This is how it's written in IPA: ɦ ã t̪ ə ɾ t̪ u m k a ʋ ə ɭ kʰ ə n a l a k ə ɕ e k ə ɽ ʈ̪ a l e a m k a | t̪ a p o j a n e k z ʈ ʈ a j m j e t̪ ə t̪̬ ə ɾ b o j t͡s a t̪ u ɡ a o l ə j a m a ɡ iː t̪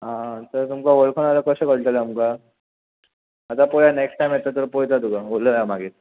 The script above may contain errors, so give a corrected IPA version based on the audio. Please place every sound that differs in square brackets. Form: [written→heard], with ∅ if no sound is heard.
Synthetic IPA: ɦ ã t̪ ə ɾ t̪ u m k a ʋ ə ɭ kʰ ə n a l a k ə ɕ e k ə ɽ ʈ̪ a l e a m k a | t̪ a p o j a n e k [z→s] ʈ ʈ a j m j e t̪ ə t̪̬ ə ɾ [b→p] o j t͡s a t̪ u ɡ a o l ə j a m a ɡ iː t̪

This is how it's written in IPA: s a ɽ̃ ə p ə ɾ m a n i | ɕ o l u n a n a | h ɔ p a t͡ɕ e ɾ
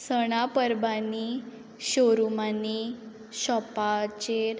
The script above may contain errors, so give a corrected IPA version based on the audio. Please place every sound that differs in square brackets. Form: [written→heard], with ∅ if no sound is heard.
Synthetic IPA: s [a→ə] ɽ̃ [ə→a] p ə ɾ [m→b] a n i | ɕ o [l→ɾ] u [n→m] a n [a→i] | [h→ɕ] ɔ p a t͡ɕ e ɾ

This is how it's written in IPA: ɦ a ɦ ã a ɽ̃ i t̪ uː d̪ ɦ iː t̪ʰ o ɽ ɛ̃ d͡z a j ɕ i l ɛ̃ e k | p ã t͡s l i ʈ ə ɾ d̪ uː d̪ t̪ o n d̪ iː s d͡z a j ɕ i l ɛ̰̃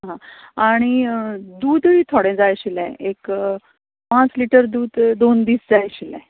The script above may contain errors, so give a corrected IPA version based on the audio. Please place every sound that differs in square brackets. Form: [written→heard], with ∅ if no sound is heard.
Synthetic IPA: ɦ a ɦ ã a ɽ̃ i [t̪→d̪] uː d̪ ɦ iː t̪ʰ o ɽ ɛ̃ d͡z a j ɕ i l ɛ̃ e k | p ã t͡s l i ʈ ə ɾ d̪ uː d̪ [t̪→d̪] o n d̪ iː s d͡z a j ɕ i l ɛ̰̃

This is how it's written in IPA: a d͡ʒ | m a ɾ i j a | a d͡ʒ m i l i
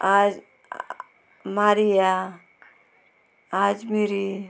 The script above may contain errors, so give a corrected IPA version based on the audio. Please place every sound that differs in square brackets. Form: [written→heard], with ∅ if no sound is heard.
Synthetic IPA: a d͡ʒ | m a ɾ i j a | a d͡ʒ m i [l→ɾ] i

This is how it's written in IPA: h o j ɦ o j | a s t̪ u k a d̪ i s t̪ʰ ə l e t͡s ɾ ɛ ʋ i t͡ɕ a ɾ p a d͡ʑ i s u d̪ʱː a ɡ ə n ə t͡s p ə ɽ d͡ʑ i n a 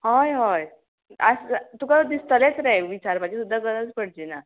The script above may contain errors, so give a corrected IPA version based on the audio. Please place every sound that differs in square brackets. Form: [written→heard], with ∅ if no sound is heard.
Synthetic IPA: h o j ɦ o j | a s t̪ u k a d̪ i s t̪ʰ ə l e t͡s ɾ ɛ ʋ i t͡ɕ a ɾ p a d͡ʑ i s u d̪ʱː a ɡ ə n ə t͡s p ə ɽ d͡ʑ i n a

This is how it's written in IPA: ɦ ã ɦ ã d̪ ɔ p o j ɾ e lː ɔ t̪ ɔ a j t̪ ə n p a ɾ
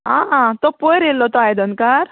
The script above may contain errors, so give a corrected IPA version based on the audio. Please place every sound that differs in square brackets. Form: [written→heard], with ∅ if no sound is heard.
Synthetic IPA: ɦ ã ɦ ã [d̪→t̪] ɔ p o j ɾ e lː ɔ t̪ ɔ a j [t̪→d̪] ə n [p→k] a ɾ

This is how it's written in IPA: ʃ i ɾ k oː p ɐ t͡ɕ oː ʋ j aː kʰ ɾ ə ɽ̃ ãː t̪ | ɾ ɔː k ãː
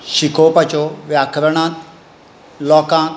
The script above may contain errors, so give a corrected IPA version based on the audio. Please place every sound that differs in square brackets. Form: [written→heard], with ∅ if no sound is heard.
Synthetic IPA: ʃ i [ɾ→∅] k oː p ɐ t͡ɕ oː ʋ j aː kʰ ɾ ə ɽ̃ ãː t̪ | [ɾ→l] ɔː k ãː

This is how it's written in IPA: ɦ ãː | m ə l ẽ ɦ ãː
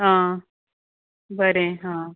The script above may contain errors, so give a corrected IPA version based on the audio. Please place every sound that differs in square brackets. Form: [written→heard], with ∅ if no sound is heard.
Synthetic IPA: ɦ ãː | [m→b] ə [l→ɾ] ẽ ɦ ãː

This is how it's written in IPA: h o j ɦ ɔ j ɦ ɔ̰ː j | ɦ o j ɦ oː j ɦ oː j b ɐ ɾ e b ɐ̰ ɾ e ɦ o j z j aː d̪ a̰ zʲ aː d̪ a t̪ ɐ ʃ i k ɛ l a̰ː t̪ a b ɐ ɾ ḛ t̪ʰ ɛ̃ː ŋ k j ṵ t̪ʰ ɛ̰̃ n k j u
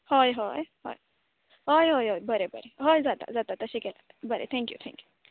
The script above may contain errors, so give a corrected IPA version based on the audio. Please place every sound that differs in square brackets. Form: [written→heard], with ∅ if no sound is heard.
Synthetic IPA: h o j ɦ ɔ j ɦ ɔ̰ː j | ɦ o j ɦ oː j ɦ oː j b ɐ ɾ e b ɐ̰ ɾ e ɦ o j z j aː d̪ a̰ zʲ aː d̪ a t̪ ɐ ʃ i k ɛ l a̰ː t̪ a b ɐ ɾ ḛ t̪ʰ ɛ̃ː ŋ k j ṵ t̪ʰ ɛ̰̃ [n→ŋ] k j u

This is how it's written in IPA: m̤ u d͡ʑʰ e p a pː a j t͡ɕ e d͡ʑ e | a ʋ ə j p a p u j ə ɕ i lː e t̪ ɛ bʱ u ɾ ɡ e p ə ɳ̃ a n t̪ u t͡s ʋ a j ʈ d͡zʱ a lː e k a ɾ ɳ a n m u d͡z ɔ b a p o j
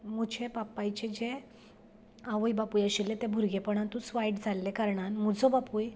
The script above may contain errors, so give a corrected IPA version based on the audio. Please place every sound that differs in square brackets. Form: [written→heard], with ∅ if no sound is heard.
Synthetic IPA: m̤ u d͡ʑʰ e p a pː a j t͡ɕ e d͡ʑ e | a ʋ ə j [p→b] a p u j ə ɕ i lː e t̪ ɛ bʱ u ɾ ɡ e p ə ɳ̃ a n t̪ u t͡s ʋ a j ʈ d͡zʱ a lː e k a ɾ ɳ a n m u d͡z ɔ b a p [o→u] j

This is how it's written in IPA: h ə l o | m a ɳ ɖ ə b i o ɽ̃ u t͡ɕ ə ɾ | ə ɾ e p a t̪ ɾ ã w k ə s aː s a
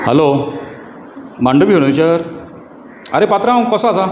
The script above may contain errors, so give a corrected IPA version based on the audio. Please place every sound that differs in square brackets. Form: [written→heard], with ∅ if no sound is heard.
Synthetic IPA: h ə l o | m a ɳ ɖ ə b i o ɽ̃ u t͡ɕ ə ɾ | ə ɾ e p a t̪ ɾ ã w k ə s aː s a

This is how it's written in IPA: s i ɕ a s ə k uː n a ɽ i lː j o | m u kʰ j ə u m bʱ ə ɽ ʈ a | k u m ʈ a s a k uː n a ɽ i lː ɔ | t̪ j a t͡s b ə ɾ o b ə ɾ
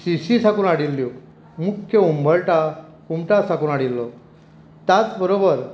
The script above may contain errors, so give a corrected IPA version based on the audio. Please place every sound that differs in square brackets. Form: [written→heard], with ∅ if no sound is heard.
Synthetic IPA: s i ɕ [a→i] s [ə→a] k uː n a ɽ i lː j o | m u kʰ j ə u m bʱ ə [ɽ→ɭ] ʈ a | k u m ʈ a s a k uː n a ɽ i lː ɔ | t̪ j a t͡s b ə ɾ o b ə ɾ

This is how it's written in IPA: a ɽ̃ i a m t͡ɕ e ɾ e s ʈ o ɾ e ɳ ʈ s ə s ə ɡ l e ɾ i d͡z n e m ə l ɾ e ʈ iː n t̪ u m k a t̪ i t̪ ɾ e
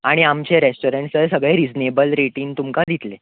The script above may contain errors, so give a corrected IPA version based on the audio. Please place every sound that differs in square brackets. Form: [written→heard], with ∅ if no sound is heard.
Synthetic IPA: a ɽ̃ i a m t͡ɕ e ɾ e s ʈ o ɾ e ɳ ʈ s ə s ə ɡ [l→ɭ] e ɾ i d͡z n e [m→b] ə l ɾ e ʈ iː n t̪ u m k a [t̪→d̪] i t̪ [ɾ→l] e

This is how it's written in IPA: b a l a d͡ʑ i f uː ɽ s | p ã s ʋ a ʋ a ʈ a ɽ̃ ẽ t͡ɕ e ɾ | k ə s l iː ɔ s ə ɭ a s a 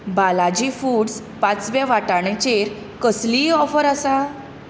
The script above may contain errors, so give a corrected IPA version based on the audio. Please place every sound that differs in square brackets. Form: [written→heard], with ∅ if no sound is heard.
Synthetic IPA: b a l a d͡ʑ i f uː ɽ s | p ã [s→t͡s] ʋ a ʋ a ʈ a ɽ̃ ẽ t͡ɕ e ɾ | k ə s l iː ɔ [s→f] ə [ɭ→ɾ] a s a

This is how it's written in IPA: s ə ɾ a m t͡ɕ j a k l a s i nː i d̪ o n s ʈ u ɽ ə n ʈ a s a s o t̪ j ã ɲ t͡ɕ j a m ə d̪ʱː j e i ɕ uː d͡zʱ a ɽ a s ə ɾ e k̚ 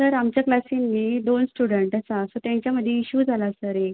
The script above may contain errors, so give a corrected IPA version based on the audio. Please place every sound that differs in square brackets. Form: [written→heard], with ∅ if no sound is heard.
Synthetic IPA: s ə ɾ a m t͡ɕ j a k l a s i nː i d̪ o n s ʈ u ɽ ə [n→ɳ] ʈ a s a s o t̪ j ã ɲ t͡ɕ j a m ə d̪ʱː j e i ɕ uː d͡zʱ a [ɽ→l] a s ə ɾ e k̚

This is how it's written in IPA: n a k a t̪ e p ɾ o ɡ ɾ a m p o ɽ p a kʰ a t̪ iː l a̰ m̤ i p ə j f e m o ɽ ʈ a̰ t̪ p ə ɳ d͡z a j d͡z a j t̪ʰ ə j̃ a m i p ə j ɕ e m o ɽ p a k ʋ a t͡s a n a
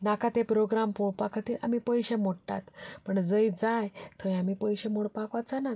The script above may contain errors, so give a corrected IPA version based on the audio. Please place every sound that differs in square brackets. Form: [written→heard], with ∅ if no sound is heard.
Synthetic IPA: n a k a t̪ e p ɾ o ɡ ɾ a m p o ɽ p a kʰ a t̪ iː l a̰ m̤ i p ə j [f→ɕ] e m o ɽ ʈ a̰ t̪ p ə ɳ d͡z [a→ə] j d͡z a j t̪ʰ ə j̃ a m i p ə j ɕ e m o ɽ p a k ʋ a t͡s a n a

